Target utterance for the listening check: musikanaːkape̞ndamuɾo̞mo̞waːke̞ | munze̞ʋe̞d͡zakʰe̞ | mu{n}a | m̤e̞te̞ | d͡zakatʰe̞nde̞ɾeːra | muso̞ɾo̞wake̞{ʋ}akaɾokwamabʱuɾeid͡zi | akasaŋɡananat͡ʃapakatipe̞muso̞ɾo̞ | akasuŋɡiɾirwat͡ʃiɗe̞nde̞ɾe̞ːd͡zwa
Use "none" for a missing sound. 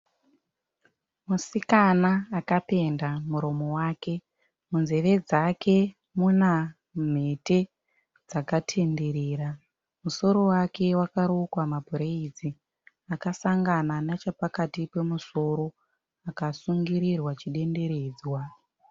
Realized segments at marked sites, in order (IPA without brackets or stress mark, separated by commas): n, w